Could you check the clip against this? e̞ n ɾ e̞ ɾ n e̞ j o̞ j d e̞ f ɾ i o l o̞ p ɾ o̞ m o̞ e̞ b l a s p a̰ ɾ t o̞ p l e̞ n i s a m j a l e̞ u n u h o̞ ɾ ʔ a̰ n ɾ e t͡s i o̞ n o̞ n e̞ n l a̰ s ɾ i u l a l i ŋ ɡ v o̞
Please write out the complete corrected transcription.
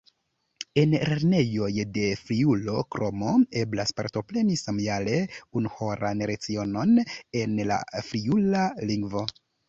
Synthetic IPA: e̞ n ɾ e̞ ɾ n e̞ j o̞ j d e̞ f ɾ i u l o̞ k ɾ o̞ m o̞ e̞ b l a s p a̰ ɾ t o̞ p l e̞ n i s a m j a l e̞ u n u h o̞ ɾ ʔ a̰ n ɾ e t͡s i o̞ n o̞ n e̞ n l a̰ f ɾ i u l a l i ŋ ɡ v o̞